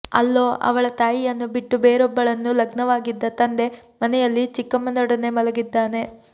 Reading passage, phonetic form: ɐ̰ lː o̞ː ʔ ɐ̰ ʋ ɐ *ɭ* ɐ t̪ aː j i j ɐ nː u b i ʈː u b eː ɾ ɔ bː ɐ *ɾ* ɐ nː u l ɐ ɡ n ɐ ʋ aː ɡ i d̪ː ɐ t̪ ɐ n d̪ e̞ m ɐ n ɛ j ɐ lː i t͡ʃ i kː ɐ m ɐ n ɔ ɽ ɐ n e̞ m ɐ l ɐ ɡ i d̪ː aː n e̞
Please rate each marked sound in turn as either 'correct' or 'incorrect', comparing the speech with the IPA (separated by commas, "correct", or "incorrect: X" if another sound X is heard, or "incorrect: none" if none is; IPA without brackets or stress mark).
correct, incorrect: ɭ